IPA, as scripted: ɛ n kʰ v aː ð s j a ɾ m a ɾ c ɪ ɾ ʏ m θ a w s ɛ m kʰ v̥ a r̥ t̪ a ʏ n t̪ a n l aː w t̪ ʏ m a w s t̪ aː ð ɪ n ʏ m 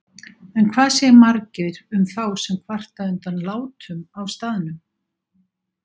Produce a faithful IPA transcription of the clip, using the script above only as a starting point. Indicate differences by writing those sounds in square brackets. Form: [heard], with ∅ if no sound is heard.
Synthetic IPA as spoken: ɛ n kʰ v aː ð s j [ɛ] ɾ m a ɾ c ɪ ɾ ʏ m θ a w s ɛ m kʰ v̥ a r̥ t̪ a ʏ n t̪ a n l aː w t̪ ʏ m a w s t̪ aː ð ɪ n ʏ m